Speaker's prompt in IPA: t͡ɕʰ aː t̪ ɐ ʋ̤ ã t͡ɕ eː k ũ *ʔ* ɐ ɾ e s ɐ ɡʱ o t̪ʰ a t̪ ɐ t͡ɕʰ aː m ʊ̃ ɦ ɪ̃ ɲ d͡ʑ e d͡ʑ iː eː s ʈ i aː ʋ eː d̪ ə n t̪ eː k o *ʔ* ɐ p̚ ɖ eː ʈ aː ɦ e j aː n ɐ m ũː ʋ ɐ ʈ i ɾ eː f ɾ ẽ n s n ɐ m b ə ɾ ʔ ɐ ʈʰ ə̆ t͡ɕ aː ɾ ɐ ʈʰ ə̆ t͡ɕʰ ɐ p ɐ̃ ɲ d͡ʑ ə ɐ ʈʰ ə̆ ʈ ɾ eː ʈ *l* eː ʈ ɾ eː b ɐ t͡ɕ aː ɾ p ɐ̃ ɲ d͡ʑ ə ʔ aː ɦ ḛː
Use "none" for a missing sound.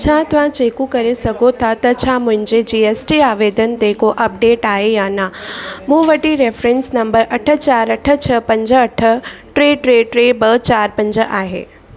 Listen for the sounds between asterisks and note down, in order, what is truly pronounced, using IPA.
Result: k, ʔ, ɾ

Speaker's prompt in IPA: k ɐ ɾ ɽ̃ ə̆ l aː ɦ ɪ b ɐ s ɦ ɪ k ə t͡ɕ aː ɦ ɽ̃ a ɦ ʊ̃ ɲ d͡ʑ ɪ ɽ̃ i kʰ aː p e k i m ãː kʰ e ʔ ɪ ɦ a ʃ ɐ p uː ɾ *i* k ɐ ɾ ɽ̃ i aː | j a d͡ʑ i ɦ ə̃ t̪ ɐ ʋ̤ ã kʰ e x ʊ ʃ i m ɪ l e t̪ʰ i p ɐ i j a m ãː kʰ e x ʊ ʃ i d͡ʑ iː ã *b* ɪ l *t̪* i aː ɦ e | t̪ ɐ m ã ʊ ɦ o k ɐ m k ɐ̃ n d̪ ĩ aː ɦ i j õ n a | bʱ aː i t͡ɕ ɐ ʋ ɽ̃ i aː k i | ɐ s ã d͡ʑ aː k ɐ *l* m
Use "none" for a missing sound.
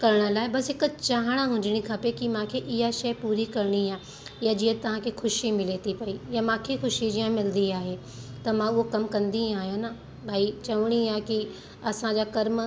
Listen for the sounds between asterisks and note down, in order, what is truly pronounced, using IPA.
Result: i, m, d̪, ɾ

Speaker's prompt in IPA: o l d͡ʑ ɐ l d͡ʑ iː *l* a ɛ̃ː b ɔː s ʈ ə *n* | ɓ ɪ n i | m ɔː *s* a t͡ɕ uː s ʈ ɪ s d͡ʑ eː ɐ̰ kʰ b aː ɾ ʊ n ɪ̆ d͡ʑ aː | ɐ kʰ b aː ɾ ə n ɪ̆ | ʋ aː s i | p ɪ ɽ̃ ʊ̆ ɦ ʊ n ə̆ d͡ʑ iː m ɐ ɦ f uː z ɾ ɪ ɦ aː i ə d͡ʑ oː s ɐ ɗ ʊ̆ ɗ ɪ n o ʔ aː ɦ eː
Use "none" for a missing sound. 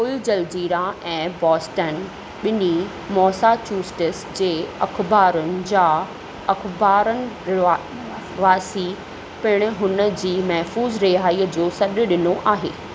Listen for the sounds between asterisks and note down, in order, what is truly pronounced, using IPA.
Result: ɾ, n, s

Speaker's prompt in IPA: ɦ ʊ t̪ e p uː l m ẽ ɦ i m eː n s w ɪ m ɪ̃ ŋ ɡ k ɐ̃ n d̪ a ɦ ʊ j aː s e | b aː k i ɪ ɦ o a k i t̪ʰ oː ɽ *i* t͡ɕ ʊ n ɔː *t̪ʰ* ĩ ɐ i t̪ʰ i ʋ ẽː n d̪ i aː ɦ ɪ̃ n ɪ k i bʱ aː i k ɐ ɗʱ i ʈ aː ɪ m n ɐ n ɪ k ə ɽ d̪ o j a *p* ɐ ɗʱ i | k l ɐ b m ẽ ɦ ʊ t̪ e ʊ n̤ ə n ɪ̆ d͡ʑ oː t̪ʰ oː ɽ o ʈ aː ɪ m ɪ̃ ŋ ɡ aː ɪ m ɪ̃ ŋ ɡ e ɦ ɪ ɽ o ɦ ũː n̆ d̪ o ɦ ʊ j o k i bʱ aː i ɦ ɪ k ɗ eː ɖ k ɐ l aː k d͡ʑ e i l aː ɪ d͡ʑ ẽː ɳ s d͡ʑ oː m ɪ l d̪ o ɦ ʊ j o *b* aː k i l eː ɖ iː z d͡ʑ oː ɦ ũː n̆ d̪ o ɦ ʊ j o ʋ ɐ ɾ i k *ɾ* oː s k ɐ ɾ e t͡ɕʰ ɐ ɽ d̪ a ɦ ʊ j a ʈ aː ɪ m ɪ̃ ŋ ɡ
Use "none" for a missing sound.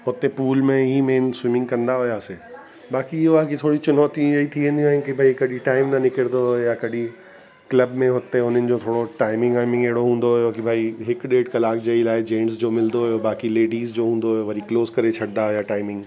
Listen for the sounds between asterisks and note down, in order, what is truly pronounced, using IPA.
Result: i, t̪, k, b, l

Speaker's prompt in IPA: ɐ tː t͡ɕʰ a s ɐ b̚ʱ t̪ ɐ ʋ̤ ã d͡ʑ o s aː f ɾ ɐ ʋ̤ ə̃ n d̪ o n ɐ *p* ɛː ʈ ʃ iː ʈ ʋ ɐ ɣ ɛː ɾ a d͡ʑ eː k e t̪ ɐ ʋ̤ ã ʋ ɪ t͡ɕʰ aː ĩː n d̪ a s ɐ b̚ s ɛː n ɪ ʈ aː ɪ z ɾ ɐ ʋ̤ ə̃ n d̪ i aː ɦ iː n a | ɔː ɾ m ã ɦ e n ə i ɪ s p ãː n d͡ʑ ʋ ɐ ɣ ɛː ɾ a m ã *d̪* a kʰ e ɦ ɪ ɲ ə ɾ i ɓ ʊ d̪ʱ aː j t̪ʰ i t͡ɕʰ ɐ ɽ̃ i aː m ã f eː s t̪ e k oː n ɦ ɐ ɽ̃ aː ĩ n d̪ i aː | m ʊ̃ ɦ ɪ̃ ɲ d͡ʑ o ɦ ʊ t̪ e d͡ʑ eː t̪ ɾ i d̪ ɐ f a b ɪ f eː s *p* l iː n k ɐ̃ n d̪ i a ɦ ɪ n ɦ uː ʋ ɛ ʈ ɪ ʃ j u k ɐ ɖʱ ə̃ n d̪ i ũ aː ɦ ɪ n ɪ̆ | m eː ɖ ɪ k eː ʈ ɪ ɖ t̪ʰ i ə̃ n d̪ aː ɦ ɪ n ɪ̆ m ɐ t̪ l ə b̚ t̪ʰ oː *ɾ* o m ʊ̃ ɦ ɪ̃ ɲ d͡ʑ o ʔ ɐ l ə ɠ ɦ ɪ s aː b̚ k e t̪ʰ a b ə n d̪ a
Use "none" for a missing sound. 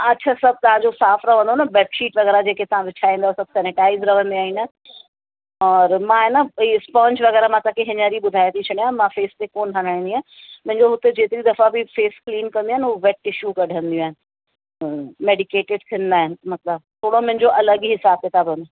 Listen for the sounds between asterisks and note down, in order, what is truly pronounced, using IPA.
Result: b, t̪, k, ɽ

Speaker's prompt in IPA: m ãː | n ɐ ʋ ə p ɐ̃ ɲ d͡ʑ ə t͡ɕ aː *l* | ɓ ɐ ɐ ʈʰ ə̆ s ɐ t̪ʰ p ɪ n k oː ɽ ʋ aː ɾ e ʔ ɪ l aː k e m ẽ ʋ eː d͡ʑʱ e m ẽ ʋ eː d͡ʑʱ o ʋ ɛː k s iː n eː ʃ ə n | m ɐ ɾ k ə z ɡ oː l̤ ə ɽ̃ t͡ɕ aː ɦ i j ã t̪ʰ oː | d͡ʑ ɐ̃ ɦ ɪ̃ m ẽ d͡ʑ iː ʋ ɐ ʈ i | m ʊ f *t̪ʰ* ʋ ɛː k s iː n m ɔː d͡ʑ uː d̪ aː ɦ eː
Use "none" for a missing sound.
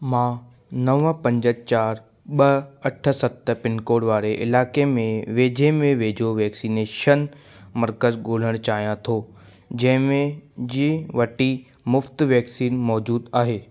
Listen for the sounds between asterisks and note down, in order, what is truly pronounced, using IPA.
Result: ɾ, t̪

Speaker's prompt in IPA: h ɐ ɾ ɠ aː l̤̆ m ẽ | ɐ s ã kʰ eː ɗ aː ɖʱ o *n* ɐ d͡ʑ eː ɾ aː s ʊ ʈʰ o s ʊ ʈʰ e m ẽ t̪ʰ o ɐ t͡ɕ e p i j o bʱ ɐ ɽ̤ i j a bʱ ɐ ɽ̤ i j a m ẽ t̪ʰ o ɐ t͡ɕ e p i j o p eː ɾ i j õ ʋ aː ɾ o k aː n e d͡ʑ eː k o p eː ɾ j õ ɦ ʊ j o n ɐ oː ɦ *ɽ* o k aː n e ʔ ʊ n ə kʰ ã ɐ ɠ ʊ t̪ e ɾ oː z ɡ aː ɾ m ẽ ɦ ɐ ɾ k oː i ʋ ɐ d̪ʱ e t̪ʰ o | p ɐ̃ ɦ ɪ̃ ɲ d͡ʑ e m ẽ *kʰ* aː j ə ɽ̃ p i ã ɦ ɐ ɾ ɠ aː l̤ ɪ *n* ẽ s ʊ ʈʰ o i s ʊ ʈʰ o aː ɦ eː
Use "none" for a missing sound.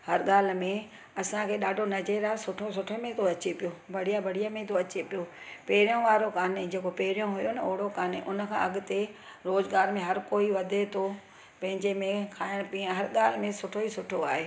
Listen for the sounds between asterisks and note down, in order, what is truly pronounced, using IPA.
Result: n, ɽ, kʰ, m

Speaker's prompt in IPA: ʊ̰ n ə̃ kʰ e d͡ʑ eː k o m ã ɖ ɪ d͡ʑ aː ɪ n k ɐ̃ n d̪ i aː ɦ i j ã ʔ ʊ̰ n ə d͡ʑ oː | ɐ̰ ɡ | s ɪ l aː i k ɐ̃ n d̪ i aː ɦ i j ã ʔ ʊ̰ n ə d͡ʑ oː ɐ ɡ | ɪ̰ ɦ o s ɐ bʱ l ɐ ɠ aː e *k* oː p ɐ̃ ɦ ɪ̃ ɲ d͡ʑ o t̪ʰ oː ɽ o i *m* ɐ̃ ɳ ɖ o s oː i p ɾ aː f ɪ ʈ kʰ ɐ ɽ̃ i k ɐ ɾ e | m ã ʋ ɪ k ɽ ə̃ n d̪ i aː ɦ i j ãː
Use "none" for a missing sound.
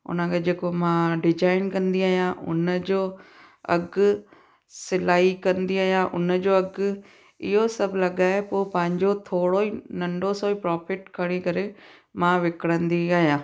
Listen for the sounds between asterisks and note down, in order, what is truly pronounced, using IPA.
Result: p, n

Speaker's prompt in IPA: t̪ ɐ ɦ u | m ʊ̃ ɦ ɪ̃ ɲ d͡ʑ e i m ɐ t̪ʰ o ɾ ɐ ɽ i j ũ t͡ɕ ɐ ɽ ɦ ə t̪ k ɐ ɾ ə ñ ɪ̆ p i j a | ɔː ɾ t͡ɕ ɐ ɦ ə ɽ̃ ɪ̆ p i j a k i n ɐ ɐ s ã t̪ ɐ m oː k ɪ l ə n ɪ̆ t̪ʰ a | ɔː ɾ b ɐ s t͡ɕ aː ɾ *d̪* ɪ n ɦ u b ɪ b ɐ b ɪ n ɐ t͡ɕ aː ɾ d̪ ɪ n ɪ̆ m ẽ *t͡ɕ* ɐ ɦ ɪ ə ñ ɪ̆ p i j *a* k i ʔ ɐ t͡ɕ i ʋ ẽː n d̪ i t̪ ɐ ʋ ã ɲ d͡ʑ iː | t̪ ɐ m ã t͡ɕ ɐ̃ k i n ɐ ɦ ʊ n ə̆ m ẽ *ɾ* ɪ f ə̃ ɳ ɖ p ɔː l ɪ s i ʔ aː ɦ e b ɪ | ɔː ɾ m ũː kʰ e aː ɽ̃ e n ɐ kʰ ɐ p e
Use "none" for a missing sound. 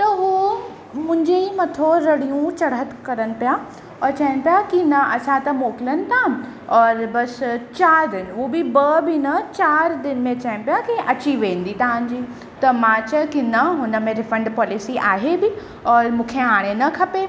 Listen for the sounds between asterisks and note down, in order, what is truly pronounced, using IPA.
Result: d̪, t͡ɕ, a, ɾ

